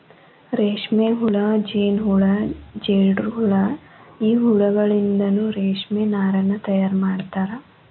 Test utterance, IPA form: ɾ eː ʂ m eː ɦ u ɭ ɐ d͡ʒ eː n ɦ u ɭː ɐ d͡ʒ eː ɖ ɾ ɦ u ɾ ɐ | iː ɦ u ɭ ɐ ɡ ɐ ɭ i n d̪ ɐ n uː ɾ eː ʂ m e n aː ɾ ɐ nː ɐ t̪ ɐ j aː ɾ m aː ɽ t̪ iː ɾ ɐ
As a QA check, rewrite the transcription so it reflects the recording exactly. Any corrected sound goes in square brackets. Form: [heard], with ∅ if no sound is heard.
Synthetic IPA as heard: ɾ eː ʂ m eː ɦ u ɭ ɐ d͡ʒ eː n ɦ u [ɭ] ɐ d͡ʒ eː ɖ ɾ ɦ u [ɭ] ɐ | iː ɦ u ɭ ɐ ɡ ɐ ɭ i n d̪ ɐ n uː ɾ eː ʂ m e n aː ɾ ɐ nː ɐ t̪ ɐ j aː ɾ m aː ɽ t̪ [aː] ɾ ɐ